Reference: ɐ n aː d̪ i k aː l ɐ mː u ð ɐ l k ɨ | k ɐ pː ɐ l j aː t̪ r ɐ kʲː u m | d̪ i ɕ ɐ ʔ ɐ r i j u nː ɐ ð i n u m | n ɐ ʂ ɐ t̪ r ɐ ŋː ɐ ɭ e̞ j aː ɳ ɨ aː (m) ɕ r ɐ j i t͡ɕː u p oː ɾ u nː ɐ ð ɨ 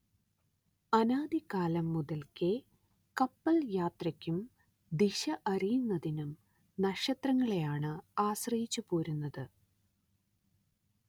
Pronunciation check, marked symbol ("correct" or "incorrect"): incorrect